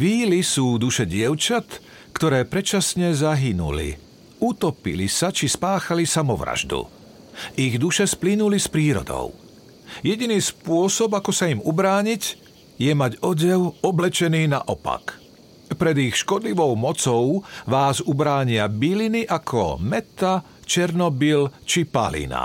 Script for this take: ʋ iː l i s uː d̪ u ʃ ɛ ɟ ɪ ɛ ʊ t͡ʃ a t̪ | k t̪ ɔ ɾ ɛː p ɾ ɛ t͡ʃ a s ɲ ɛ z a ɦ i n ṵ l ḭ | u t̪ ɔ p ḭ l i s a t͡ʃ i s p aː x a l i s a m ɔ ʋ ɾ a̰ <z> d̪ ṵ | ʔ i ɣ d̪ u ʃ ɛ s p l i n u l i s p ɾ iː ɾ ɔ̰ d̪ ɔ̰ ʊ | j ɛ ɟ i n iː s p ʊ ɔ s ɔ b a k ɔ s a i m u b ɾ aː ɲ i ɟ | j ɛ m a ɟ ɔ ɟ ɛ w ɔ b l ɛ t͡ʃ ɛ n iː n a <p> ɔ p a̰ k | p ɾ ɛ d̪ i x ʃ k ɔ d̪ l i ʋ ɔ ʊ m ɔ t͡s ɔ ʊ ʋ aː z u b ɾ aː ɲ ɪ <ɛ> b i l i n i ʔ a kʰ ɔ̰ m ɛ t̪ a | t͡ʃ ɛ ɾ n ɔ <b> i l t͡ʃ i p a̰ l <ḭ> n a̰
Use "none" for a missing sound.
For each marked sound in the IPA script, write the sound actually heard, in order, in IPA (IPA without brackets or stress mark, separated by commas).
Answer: ʒ, ʔ, a, b, ḭ